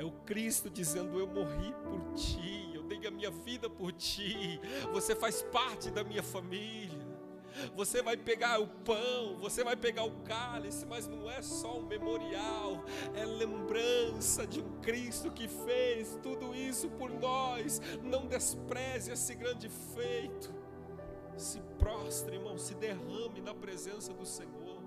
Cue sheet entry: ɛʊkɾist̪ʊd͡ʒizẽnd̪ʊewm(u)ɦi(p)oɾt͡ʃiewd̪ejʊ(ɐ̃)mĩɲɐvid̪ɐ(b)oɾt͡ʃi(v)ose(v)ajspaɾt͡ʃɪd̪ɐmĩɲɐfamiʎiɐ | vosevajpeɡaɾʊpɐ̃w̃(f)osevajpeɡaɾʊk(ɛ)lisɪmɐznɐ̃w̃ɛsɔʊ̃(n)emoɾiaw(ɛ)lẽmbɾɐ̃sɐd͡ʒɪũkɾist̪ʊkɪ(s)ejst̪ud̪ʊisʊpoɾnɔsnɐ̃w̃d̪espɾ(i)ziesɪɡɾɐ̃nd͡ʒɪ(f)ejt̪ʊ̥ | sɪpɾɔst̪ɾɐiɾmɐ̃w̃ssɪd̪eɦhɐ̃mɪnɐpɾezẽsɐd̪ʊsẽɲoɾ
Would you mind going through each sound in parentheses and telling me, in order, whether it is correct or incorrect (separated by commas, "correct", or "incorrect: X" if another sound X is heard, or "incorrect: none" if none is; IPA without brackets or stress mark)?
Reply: incorrect: o, correct, incorrect: ɐ, incorrect: p, correct, incorrect: f, incorrect: v, incorrect: a, incorrect: m, correct, incorrect: f, incorrect: ɛ, correct